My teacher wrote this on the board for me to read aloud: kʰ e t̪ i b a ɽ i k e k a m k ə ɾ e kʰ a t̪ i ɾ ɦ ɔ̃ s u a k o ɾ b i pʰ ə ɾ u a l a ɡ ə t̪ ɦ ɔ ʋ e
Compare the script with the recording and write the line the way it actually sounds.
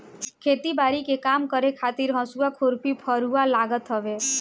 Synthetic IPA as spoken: kʰ e t̪ i b a ɾ i k e k a m k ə ɾ e kʰ a t̪ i ɾ ɦ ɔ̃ s u a kʰ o ɾ p i pʰ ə ɾ u a l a ɡ ə t̪ ɦ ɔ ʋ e